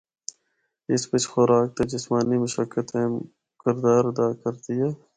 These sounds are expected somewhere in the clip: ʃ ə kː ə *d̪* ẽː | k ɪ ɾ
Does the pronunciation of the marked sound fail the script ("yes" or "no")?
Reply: yes